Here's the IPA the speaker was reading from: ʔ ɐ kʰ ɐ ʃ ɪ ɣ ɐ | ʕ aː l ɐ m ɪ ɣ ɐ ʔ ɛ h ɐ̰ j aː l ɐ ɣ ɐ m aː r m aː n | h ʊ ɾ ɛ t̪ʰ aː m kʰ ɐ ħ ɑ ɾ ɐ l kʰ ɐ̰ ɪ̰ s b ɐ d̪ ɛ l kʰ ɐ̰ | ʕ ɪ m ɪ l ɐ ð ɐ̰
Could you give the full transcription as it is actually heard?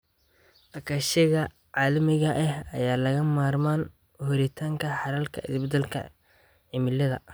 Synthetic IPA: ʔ ɐ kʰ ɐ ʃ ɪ ɣ ɐ | ʕ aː l ɐ m ɪ ɣ ɐ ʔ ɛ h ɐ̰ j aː l ɐ ɣ ɐ m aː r m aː n | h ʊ ɾ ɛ t̪ʰ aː ŋ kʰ ɐ ħ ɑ ɾ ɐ l kʰ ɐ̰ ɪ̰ s b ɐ d̪ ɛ l kʰ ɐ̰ | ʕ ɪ m ɪ l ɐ ð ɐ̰

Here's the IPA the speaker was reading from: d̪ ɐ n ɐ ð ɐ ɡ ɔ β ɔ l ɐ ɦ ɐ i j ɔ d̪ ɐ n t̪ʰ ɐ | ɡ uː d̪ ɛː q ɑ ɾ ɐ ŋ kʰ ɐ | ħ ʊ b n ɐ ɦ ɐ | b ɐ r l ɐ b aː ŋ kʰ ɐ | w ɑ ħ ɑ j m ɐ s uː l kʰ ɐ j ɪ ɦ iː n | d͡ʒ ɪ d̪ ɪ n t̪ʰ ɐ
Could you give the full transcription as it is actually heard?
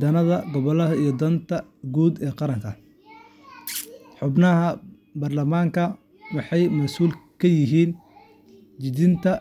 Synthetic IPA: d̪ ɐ n ɐ ð ɐ ɡ ɔ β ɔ l ɐ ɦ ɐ i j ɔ d̪ ɐ n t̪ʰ ɐ | ɡ uː d̪ ɛː q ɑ ɾ ɐ ŋ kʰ ɐ | ħ ʊ b n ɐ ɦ ɐ | b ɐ r l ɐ m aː ŋ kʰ ɐ | w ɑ ħ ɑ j m ɐ s uː l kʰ ɐ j ɪ ɦ iː n | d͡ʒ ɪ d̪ ɪ n t̪ʰ ɐ

